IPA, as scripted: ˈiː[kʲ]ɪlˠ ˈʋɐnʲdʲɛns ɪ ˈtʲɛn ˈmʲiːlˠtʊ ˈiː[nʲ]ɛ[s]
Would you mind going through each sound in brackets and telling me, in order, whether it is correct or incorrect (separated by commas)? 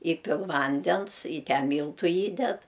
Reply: incorrect, incorrect, incorrect